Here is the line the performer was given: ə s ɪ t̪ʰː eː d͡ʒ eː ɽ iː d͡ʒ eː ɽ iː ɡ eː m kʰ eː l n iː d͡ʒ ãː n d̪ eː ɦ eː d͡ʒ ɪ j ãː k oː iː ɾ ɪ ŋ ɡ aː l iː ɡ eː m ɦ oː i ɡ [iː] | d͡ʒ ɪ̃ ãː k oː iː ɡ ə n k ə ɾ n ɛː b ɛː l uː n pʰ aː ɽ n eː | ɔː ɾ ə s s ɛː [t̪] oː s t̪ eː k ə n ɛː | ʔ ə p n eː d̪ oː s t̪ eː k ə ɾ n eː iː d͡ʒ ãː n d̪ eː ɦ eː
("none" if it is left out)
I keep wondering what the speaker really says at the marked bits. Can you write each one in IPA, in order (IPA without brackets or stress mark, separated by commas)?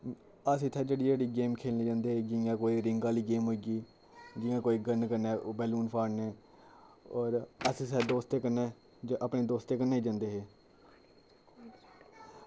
iː, d̪